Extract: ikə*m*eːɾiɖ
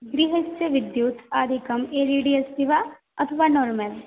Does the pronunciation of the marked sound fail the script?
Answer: no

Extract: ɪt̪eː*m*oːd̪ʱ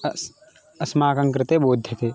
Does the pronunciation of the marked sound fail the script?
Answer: yes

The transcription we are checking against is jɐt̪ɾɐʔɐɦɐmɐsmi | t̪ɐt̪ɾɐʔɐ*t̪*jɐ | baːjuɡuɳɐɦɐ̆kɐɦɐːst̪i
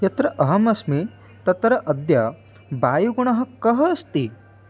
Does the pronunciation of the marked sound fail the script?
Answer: yes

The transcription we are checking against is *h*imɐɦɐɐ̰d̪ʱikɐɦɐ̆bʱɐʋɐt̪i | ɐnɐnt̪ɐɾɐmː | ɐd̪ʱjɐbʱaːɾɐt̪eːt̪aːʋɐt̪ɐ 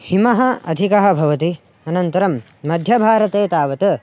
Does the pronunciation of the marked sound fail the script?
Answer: no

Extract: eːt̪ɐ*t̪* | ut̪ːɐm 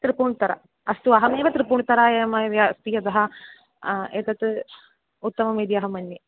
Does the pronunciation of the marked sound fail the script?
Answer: no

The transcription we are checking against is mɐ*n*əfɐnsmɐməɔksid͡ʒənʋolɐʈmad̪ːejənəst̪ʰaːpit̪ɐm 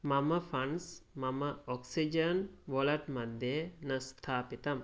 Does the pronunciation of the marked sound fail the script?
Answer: yes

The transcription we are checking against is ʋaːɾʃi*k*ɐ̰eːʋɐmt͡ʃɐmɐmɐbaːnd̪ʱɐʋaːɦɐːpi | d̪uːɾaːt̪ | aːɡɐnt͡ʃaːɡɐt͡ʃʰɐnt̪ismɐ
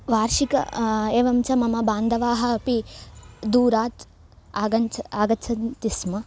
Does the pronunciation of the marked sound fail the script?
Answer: no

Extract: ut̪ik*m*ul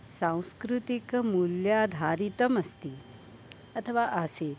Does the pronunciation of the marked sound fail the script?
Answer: no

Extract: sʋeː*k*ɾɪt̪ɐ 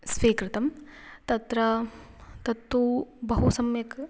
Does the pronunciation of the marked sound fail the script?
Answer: no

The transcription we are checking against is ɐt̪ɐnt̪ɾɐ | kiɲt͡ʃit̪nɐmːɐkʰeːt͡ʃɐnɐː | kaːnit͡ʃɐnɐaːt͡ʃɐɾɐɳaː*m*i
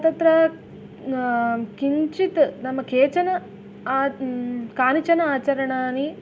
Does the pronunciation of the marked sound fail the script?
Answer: yes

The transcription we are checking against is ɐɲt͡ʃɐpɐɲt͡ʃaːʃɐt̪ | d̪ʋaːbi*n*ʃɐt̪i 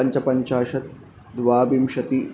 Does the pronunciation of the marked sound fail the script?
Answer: yes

